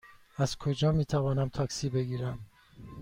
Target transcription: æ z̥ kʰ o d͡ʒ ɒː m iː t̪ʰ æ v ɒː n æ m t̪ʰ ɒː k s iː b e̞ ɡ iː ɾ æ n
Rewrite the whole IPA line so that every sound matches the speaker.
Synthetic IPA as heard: æ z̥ kʰ o d͡ʒ ɒː m iː t̪ʰ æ v ɒː n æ m t̪ʰ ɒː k s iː b e̞ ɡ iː ɾ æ m